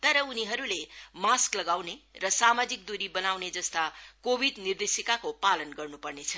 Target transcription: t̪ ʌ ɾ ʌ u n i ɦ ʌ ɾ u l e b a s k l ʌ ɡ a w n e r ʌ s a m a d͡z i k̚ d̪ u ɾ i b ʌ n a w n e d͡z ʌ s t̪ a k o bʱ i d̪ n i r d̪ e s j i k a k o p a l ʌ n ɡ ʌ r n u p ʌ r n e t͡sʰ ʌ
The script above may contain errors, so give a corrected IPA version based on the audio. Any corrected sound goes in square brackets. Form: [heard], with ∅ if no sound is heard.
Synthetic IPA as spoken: t̪ ʌ ɾ ʌ u n i ɦ ʌ ɾ u l e [m] a s k l ʌ ɡ a w n e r ʌ s a m a d͡z i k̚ d̪ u ɾ i b ʌ n a w n e d͡z ʌ s t̪ a k o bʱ i d̪ n i r d̪ e s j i k a k o p a l ʌ n ɡ ʌ r n u p ʌ r n e t͡sʰ ʌ

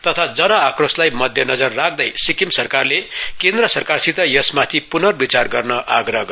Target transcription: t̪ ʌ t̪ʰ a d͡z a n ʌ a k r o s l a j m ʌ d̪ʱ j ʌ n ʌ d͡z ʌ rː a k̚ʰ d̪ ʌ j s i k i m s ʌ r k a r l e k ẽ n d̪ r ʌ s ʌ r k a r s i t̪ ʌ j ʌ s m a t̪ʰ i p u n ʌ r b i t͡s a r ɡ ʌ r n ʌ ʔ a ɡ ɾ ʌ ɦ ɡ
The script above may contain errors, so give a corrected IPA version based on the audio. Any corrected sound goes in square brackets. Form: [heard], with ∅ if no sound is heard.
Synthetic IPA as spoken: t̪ ʌ t̪ʰ a d͡z [ʌ] n ʌ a k r o s l a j m ʌ d̪ʱ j ʌ n ʌ d͡z ʌ rː a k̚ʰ d̪ ʌ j s i k i m s ʌ r k a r l e k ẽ n d̪ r ʌ s ʌ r k a r s i t̪ ʌ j ʌ s m a t̪ʰ i p u n ʌ r b i t͡s a r ɡ ʌ r n ʌ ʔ a ɡ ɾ ʌ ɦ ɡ

